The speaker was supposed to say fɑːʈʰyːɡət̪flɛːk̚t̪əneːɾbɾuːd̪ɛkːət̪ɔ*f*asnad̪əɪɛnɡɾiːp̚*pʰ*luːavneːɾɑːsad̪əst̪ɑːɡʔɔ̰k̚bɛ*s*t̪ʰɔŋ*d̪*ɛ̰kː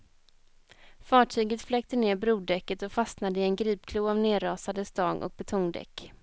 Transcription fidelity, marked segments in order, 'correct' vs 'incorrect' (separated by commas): correct, incorrect, incorrect, correct